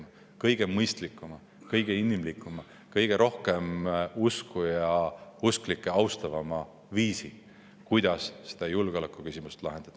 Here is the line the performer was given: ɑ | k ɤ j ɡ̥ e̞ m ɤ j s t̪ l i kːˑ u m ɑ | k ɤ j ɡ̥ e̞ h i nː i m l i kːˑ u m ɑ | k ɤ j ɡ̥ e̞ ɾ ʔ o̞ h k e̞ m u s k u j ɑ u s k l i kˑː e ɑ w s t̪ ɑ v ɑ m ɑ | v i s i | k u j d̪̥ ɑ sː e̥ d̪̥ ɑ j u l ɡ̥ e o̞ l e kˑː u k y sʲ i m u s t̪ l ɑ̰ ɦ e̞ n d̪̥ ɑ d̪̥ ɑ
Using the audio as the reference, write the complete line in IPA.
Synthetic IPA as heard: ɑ | k ɤ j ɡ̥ e̞ m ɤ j s t̪ l i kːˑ u m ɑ | k ɤ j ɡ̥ e̞ i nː i m l i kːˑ u m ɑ | k ɤ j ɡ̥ e̞ ɾ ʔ o̞ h k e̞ m u s k u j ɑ u s k l i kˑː e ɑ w s t̪ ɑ v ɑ m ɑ | v iː s i | k u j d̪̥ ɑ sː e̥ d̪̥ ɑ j u l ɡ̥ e o̞ l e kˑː u k y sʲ i m u s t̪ l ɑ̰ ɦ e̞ n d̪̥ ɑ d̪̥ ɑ

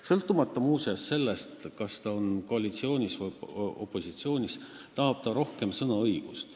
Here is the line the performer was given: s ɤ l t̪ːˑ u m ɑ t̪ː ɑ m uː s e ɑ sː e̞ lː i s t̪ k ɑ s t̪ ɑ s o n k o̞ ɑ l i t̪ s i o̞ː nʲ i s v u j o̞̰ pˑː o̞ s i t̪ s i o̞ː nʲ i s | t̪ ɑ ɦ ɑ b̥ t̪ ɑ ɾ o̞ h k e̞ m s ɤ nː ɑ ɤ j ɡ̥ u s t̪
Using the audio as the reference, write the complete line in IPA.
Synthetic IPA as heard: s ɤ l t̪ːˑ u m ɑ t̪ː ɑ m uː s e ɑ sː e̞ lː e s t̪ k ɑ s t̪ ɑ o n k o̞ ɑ l i t̪ s i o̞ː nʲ i s v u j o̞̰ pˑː o̞ s i t̪ s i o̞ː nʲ i s | t̪ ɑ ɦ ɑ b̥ t̪ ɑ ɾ o̞ h k e̞ m s ɤ n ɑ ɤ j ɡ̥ u s t̪

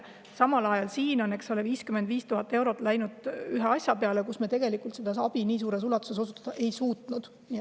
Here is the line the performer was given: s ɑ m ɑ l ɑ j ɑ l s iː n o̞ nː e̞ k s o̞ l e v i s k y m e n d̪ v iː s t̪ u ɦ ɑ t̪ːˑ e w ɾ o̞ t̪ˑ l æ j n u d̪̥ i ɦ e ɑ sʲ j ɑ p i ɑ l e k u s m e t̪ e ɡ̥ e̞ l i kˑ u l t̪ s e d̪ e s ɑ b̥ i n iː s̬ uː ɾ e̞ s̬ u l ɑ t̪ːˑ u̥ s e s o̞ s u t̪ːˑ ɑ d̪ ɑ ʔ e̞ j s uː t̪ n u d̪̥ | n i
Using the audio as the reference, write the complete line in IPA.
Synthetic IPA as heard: s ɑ m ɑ l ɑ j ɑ l s iː n o̞ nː e̞ k s o̞ l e v iː s k y m e n d̪ v iː s t̪ u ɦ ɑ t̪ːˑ e w ɾ o̞ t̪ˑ l æ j n u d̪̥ y ɦ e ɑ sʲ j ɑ p e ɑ l e k u s m e t̪ e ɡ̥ e̞ l i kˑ u l t̪ s e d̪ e s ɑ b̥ i n iː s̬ uː ɾ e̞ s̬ u l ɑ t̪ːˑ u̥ s e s o̞ s u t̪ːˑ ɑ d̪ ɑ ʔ e̞ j s uː t̪ n u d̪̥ | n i

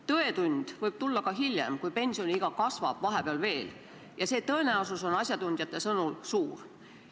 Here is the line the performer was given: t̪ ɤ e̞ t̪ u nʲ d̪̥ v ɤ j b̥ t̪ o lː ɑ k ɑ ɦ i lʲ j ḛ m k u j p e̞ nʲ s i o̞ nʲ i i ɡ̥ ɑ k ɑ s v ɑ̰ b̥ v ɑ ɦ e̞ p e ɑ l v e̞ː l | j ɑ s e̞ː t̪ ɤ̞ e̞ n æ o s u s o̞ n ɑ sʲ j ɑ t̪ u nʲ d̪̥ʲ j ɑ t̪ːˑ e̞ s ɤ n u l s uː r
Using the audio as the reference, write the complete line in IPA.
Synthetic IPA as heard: t̪ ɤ e̞ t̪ u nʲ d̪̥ v ɤ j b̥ t̪ u lː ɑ k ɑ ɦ i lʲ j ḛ m k u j p e̞ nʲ s i o̞ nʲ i i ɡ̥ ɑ k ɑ s v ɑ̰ b̥ v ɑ ɦ e̞ p e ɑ l v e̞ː l | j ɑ s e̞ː t̪ ɤ̞ e̞ n æ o s u s o̞ n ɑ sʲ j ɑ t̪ u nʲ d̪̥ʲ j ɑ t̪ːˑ e̞ s ɤ n u l s uː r

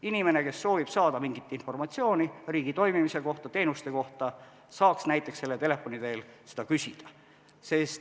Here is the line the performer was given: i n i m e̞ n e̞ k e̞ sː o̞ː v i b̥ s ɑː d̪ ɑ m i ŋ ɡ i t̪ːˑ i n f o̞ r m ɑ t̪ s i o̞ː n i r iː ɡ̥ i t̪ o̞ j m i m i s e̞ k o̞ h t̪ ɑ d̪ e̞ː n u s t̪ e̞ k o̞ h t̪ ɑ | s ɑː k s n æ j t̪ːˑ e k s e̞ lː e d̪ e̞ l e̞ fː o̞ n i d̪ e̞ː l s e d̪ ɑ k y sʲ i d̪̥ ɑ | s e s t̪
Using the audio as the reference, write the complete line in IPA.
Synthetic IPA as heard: i n i m e̞ n e̞ k e̞ sː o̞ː v i b̥ s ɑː d̪ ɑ m i ŋ ɡ i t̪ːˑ i n f o̞ r m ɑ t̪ s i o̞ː n i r iː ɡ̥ i t̪ o̞ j m i m i s e̞ k o̞ h t̪ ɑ t̪ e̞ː n u s t̪ e̞ k o̞ h t̪ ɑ | s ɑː k s n æ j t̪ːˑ e k s e̞ lː e t̪ e̞ l e̞ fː o̞ n i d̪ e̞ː l s e d̪ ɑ k y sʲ i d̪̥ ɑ | s e s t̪

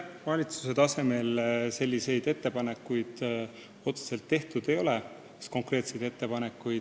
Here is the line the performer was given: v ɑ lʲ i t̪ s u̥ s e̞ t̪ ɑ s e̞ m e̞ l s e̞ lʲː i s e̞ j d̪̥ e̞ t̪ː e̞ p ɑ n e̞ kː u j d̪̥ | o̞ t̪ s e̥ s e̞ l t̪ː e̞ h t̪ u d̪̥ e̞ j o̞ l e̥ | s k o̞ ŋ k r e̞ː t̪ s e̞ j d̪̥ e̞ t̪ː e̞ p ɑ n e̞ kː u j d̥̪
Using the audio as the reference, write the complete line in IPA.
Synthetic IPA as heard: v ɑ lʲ i t̪ s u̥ s e̞ t̪ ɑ s e̞ m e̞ l s e̞ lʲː i s e̞ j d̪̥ e̞ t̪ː e̞ p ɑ n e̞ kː u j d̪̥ | o̞ t̪ s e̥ s e̞ l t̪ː e̞ h t̪ u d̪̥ e̞ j o̞ l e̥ | s k o̞ ŋ k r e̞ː t̪ s e̞ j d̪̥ e̞ t̪ː e̞ p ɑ n e̞ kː u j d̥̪

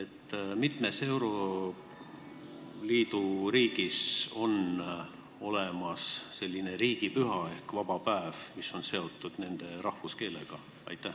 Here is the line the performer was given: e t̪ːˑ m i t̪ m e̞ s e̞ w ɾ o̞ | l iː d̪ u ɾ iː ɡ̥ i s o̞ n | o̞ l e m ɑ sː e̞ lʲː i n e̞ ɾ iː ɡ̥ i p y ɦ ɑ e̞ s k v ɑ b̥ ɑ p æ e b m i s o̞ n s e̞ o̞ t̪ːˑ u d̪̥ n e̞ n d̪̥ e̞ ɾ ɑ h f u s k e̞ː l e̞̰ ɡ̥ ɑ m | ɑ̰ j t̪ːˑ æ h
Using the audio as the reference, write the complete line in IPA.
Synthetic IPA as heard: e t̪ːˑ m i t̪ m e̞ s e̞ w ɾ o̞ | l iː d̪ u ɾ iː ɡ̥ i s o̞ n | o̞ l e m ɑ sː e̞ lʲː i n e̞ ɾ iː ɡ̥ i p y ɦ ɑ e̞ h k v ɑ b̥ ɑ p æ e v m i s o̞ n s e̞ o̞ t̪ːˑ u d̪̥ n e̞ n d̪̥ e̞ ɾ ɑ h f u s k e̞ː l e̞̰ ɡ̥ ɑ | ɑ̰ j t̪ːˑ æ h

